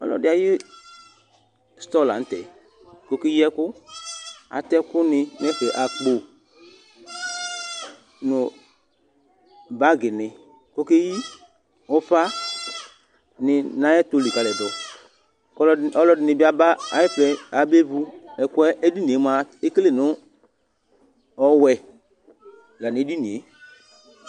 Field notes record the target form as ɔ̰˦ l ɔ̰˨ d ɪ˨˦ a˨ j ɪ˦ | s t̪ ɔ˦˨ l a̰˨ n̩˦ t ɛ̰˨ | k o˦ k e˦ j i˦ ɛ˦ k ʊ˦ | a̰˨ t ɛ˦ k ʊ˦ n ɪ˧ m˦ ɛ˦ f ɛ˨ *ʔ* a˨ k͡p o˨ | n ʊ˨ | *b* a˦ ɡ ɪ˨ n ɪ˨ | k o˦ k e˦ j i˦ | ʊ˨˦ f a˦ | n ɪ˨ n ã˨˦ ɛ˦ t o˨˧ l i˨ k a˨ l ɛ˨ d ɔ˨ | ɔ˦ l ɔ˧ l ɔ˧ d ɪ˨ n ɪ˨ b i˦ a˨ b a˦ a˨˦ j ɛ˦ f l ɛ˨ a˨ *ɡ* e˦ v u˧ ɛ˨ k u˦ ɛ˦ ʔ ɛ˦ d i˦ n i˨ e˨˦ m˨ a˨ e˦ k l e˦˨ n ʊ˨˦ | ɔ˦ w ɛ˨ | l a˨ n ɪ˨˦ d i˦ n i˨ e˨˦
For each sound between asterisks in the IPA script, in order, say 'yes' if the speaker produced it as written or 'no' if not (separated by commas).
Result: yes, yes, no